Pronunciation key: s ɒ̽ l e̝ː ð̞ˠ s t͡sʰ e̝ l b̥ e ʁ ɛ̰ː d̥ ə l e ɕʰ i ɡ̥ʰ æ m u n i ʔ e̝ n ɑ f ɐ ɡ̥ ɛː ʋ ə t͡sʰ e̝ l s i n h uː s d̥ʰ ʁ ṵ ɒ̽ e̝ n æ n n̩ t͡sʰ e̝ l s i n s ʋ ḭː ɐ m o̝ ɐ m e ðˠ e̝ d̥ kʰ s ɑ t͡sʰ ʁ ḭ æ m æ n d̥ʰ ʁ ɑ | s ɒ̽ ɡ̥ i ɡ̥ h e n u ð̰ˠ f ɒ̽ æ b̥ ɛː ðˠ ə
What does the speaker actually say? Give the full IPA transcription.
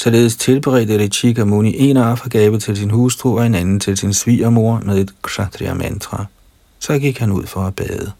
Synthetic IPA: s ɒ̽ l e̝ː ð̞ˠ s t͡sʰ e̝ l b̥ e ʁ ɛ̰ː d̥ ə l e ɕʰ i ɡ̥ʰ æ m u n i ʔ e̝ n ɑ f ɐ ɡ̥ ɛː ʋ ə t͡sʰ e̝ l s i n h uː s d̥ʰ ʁ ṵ ɒ̽ e̝ n æ n n̩ t͡sʰ e̝ l s i n s ʋ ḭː ɐ m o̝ ɐ m e ðˠ e̝ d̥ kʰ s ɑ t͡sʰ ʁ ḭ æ m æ n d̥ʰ ʁ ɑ | s ɒ̽ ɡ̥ i ɡ̥ h æ n u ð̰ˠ f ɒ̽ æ b̥ ɛː ðˠ ə